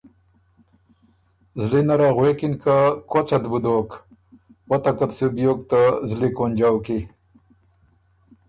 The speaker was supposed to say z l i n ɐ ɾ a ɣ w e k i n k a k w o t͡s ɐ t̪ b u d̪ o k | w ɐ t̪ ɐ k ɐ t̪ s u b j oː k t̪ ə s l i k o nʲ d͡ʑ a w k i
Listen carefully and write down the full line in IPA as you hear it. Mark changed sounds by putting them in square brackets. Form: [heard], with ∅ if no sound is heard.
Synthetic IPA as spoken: z l i n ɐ ɾ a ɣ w e k i n k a k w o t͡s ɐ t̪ b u d̪ o k | w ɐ t̪ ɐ k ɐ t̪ s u b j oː k t̪ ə [z] l i k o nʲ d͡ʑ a w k i